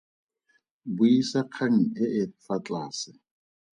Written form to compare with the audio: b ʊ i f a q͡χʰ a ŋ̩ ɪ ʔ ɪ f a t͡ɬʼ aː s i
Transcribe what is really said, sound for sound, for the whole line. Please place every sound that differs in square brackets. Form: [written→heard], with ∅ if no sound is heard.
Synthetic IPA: b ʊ i [f→s] a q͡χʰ a ŋ̩ ɪ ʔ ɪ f a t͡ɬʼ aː s [i→ɪ]

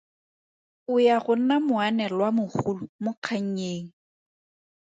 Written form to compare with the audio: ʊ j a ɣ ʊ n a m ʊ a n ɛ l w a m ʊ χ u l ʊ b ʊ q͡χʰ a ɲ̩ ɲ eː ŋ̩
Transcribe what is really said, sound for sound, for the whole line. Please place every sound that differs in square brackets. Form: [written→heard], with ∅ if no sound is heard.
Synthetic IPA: ʊ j a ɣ ʊ n a m ʊ a n ɛ l w a m ʊ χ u l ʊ [b→m] ʊ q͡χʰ a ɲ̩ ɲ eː ŋ̩

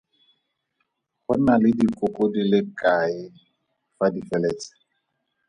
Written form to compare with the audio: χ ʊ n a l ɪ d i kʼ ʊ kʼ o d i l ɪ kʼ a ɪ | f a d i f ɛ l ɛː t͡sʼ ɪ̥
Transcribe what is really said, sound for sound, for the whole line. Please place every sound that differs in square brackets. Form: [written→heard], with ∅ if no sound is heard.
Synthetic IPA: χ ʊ n a l ɪ d i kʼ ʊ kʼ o d i l ɪ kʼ a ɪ | f a d i f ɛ l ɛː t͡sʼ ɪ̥

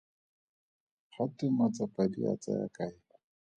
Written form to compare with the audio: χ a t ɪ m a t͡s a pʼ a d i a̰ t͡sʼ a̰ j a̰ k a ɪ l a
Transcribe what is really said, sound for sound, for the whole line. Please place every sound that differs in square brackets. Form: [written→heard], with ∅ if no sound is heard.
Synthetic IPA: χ a t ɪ m a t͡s a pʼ a d i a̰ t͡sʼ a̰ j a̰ k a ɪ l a

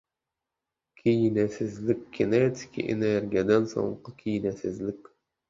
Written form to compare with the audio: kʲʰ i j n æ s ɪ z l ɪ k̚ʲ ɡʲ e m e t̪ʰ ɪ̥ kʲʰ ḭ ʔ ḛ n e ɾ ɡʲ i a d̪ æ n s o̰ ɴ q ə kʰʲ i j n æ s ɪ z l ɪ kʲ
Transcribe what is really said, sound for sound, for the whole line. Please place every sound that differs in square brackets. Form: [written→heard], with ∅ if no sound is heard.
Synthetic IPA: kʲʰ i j n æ s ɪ z l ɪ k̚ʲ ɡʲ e [m→n] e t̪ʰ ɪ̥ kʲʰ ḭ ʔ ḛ n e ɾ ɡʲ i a d̪ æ n s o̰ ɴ q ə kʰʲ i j n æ s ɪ z l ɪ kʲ

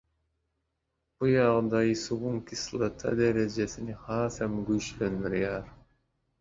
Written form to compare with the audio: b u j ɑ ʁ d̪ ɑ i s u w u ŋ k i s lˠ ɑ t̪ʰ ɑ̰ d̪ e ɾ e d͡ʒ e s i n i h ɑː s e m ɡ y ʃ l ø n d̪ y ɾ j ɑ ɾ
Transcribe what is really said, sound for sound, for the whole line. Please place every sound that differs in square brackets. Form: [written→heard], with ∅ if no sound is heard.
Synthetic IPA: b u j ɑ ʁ d̪ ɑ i s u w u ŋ k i s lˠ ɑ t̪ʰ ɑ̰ d̪ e ɾ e d͡ʒ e s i n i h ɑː s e m ɡ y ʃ l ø n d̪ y ɾ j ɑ ɾ

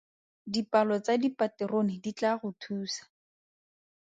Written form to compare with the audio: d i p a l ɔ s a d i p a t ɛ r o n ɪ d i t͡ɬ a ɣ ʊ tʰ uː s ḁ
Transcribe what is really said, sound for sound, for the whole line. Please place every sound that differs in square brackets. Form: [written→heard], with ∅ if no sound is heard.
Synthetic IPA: d i p a l ɔ [s→t͡s] a d i p a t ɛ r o n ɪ d i t͡ɬ a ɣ ʊ tʰ uː s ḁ

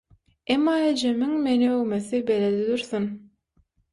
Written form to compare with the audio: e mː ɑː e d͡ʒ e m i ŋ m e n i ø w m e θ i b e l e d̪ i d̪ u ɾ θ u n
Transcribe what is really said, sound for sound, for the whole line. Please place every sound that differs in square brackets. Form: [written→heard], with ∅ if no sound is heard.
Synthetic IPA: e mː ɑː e d͡ʒ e m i ŋ m e n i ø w m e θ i b e l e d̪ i d̪ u ɾ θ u n

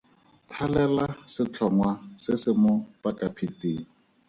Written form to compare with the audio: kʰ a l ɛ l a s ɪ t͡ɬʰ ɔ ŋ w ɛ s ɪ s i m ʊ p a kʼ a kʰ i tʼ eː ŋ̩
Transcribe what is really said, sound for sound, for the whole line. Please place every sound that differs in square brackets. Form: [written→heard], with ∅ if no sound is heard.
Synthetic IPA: [kʰ→tʰ] a l ɛ l a s ɪ t͡ɬʰ ɔ ŋ w [ɛ→a] s ɪ s [i→ɪ] m ʊ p a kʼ a [kʰ→pʰ] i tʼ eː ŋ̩

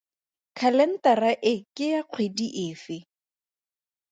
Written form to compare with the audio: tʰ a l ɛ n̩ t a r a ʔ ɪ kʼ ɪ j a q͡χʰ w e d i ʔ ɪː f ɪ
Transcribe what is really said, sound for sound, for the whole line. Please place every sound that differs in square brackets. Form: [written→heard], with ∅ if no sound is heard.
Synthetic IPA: [tʰ→kʰ] a l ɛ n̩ t a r a ʔ ɪ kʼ ɪ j a q͡χʰ w e d i ʔ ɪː f ɪ

